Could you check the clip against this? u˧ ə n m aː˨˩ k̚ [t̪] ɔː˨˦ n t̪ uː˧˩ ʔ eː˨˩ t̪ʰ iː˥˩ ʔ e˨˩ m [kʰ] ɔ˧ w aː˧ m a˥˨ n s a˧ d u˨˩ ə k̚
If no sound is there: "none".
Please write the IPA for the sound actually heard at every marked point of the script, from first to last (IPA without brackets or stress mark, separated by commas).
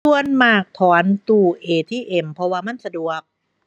t̪ʰ, pʰ